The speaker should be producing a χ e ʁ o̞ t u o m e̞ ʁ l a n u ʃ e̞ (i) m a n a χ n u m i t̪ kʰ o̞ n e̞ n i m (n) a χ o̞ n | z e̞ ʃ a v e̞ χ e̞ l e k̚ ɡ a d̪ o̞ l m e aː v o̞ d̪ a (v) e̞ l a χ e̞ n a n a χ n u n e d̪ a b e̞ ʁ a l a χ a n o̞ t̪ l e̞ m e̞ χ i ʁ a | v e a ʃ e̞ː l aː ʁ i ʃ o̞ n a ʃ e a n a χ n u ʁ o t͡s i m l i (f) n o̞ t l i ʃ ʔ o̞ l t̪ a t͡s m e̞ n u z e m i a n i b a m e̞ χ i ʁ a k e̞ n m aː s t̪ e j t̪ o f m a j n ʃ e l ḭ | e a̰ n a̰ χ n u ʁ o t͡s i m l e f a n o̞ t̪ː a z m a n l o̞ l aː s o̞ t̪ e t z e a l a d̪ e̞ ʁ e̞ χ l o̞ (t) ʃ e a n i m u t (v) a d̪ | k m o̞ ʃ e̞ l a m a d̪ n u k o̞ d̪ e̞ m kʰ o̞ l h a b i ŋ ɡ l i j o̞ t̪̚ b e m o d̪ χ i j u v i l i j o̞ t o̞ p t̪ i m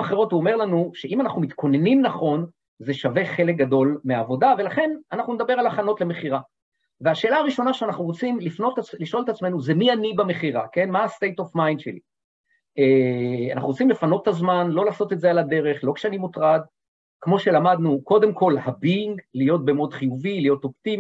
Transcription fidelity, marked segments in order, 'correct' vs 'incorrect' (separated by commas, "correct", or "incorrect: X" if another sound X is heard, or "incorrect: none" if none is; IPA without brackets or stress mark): correct, correct, correct, correct, incorrect: k, incorrect: ʁ